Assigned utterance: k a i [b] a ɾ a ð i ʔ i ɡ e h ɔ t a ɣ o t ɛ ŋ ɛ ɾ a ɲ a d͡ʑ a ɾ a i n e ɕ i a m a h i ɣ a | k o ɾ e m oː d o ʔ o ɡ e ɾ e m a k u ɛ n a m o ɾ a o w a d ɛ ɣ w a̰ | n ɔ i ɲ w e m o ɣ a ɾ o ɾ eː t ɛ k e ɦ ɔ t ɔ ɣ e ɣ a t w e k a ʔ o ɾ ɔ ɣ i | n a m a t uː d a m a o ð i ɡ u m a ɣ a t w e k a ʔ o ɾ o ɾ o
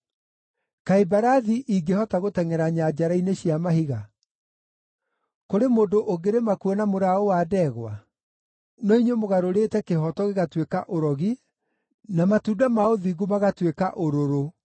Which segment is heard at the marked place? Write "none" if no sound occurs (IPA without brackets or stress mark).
b